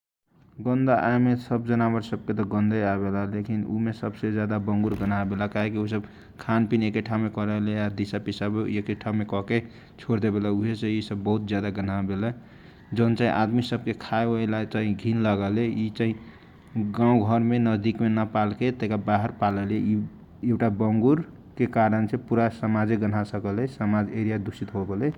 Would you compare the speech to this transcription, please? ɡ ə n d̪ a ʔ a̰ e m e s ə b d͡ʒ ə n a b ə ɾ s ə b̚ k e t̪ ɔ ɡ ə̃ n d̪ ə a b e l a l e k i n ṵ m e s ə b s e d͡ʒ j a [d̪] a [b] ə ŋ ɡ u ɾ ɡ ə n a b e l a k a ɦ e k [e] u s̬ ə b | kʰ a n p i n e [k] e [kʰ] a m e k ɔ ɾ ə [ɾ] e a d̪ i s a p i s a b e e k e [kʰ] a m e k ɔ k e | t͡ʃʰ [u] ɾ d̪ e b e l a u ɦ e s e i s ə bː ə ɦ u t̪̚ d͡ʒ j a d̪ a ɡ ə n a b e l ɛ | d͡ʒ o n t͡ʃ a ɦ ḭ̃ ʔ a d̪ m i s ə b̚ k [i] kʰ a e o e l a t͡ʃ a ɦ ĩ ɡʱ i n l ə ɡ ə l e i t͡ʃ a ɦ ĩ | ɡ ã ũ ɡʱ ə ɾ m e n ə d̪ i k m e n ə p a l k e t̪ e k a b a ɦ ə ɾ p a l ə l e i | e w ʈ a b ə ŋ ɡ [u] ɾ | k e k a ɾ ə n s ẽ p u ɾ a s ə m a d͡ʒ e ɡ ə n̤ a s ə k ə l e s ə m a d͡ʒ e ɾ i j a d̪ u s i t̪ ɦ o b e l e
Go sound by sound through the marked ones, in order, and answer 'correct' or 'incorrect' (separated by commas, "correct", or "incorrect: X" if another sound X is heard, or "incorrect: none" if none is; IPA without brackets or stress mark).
correct, correct, incorrect: i, correct, incorrect: ʈʰ, incorrect: l, incorrect: ʈʰ, incorrect: o, incorrect: e, correct